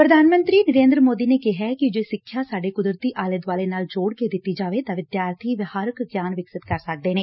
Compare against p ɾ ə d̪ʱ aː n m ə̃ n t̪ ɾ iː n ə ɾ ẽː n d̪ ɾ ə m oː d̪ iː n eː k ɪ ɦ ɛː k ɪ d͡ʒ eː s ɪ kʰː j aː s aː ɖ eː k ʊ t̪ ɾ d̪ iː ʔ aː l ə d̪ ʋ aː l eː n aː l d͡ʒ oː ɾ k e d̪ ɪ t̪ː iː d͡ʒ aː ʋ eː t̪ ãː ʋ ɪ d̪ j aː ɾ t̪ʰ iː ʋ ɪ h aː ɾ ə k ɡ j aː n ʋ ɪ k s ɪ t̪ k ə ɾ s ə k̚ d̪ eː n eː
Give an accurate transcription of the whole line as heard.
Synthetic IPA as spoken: p ɾ ə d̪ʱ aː n m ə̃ n t̪ ɾ iː n ə ɾ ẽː n d̪ ɾ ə m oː d̪ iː n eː k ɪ ɦ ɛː k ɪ d͡ʒ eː s ɪ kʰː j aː s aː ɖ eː k ʊ d̪ ɾ t̪ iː ʔ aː l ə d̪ ʋ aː l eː n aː l d͡ʒ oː ɽ k e d̪ ɪ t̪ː iː d͡ʒ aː ʋ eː t̪ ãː ʋ ɪ d̪ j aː ɾ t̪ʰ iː ʋ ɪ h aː ɾ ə k ɡ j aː n ʋ ɪ k s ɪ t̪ k ə ɾ s ə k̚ d̪ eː n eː